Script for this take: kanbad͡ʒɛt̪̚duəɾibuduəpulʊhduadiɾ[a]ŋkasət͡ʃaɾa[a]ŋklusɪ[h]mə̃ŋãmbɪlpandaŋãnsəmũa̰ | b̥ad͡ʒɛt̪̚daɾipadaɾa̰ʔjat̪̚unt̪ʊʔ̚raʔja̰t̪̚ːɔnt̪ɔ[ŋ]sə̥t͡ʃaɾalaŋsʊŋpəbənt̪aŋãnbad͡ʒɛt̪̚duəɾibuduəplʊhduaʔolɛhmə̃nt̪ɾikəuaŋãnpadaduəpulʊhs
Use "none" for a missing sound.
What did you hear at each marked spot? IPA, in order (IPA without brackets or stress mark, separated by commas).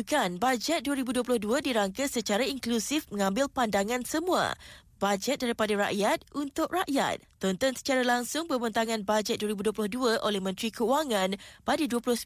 a, i, f, n